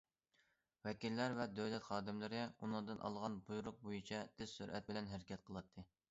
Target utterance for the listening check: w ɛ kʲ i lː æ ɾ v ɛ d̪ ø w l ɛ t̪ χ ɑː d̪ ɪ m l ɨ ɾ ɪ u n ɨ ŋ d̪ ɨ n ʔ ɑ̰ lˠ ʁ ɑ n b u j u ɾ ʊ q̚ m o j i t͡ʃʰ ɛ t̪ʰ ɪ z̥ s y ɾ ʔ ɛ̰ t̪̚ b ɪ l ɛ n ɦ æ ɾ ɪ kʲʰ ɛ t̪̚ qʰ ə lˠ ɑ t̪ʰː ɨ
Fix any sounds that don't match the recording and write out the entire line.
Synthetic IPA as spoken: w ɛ kʲ i lː æ ɾ v ɛ d̪ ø w l ɛ t̪ χ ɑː d̪ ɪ m l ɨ ɾ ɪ u n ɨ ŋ d̪ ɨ n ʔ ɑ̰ lˠ ʁ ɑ n b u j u ɾ ʊ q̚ b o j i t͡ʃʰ ɛ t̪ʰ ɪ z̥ s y ɾ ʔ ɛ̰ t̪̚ b ɪ l ɛ n ɦ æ ɾ ɪ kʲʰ ɛ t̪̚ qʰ ə lˠ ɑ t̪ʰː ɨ